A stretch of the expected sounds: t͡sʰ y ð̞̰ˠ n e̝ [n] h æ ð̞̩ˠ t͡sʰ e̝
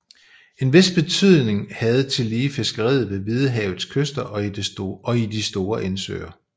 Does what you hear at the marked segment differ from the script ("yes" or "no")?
yes